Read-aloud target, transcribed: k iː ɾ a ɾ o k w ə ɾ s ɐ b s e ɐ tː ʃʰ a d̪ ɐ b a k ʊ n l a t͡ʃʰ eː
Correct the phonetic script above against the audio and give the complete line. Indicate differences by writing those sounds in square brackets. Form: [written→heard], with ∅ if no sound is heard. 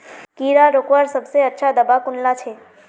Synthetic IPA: k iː ɾ a ɾ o k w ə ɾ s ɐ b s e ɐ tː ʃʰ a d̪ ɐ b a k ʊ n l a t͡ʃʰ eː